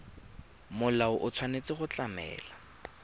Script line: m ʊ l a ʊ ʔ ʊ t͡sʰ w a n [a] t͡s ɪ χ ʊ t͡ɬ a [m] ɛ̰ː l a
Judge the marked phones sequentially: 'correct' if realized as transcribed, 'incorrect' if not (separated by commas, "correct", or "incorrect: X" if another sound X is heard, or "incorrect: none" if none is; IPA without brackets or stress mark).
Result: incorrect: e, correct